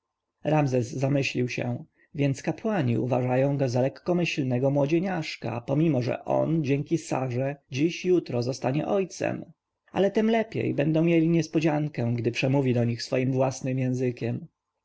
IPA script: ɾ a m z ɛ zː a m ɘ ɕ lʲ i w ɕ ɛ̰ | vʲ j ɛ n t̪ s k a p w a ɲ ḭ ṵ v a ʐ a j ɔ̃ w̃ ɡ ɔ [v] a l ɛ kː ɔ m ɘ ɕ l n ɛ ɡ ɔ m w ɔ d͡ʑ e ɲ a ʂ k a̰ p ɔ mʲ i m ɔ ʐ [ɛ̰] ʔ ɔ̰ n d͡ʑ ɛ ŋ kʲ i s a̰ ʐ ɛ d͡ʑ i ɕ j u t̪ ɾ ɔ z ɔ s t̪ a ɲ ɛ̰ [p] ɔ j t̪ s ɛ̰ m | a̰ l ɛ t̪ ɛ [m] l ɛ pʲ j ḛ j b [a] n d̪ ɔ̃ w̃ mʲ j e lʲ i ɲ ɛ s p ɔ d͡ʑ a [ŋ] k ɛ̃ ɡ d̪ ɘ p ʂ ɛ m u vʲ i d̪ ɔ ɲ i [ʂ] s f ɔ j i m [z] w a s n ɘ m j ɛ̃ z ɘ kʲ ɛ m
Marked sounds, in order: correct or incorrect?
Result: incorrect, correct, incorrect, correct, incorrect, correct, incorrect, incorrect

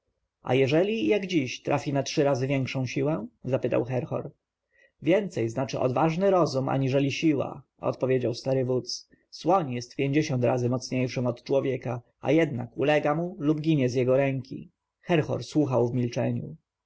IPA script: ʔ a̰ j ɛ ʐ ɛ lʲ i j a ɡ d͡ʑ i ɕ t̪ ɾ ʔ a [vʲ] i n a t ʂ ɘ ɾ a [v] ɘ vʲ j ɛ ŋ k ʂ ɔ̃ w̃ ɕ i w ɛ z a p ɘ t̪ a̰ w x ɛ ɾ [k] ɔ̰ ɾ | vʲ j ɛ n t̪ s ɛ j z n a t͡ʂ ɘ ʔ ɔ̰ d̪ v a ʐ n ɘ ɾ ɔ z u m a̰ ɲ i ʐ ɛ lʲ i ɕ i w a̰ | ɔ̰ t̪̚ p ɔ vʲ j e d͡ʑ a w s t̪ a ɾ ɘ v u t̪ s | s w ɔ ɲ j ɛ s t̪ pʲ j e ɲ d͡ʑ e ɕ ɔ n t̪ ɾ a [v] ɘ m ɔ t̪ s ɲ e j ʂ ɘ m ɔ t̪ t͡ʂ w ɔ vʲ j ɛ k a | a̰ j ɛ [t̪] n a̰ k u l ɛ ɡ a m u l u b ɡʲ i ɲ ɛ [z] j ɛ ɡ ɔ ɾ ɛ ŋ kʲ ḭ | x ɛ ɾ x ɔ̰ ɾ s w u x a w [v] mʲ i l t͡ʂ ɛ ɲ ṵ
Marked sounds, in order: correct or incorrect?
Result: incorrect, incorrect, incorrect, incorrect, incorrect, correct, correct

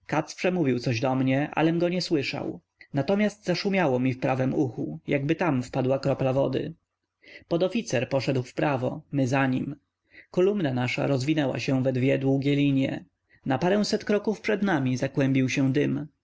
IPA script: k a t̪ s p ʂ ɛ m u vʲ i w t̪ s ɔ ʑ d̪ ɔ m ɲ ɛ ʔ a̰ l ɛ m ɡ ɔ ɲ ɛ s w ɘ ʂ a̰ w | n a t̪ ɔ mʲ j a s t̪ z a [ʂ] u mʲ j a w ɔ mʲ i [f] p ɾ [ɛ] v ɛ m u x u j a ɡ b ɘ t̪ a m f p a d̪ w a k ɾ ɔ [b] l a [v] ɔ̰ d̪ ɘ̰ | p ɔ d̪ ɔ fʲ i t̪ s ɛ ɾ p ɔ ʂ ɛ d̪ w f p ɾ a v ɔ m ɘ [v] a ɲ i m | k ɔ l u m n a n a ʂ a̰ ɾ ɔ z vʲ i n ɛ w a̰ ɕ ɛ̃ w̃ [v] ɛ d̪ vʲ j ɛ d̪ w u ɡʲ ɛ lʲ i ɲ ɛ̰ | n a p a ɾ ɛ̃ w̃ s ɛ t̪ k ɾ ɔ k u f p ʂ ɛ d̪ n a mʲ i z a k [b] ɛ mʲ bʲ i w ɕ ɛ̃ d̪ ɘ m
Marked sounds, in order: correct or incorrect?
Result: correct, correct, incorrect, incorrect, correct, incorrect, correct, incorrect

